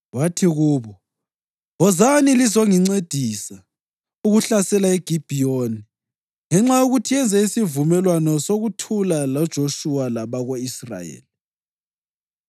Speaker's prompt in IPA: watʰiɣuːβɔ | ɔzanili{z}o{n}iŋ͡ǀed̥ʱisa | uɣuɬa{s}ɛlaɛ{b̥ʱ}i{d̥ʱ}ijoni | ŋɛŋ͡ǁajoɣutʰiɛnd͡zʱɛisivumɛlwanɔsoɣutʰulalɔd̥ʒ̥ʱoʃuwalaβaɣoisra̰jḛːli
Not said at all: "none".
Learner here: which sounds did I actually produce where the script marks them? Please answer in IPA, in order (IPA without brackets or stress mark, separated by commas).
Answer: z, ŋ, s, ɡ̥ʱ, b̥ʱ